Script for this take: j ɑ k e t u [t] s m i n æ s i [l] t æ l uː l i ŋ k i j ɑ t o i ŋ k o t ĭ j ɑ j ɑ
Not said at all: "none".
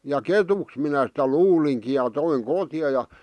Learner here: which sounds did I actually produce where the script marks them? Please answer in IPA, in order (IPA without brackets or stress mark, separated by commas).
k, none